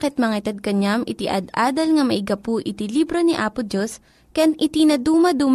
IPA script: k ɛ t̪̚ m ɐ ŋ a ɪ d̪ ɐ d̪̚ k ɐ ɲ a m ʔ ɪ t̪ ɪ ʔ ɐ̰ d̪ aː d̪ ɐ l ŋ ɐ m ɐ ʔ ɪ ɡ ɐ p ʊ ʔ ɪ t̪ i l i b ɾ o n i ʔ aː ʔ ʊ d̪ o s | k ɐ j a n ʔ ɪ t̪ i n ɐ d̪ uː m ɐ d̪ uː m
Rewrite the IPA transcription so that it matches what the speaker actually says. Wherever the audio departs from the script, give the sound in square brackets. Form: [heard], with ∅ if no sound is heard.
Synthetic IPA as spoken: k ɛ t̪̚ m ɐ ŋ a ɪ [t̪] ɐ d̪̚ k ɐ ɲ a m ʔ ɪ t̪ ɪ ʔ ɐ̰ d̪ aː d̪ ɐ l ŋ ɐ m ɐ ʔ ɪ ɡ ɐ p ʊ ʔ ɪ t̪ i l i b ɾ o n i ʔ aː [p] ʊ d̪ o s | k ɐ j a n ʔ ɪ t̪ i n ɐ d̪ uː m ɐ d̪ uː m